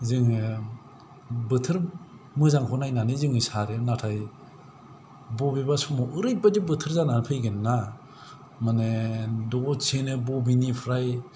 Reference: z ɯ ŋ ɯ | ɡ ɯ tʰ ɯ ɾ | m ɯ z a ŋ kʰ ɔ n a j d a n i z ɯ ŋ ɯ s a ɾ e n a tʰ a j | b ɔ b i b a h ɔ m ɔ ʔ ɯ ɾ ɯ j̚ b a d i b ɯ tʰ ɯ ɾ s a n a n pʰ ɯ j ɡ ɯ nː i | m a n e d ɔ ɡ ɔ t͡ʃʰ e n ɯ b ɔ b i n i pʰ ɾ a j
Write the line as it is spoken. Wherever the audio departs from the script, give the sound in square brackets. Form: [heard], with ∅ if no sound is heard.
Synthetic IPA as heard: z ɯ ŋ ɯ | [b] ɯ tʰ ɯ ɾ | m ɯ z a ŋ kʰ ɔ n a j [n] a n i z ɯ ŋ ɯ s a ɾ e n a tʰ a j | b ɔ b i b a [s] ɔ m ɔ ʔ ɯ ɾ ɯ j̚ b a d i b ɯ tʰ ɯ ɾ [z] a n a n pʰ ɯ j ɡ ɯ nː [a] | m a n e d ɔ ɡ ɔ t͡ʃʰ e n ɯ b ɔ b i n i pʰ ɾ a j